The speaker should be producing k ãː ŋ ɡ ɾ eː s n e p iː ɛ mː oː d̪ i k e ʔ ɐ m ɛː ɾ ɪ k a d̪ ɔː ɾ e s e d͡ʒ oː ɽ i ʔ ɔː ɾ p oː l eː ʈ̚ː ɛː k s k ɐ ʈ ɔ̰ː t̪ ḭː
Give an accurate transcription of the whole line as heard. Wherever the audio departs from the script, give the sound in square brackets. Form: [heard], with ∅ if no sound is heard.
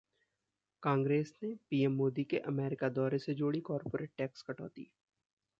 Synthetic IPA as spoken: k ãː ŋ ɡ ɾ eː s n e p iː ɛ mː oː d̪ i k e ʔ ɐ m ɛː ɾ ɪ k a d̪ ɔː ɾ e s e d͡ʒ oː ɽ i [k] ɔː ɾ p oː [ɾ] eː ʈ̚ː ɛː k s k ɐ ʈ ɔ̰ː t̪ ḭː